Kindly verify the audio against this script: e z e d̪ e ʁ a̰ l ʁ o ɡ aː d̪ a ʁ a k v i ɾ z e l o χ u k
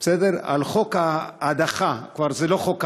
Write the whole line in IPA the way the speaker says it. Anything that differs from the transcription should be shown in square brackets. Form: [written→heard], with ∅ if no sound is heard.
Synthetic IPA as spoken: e [z→s] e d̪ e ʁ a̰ l [ʁ→χ] o [ɡ→k] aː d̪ a [ʁ→χ] a k v [i→a] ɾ z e l o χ [u→o] k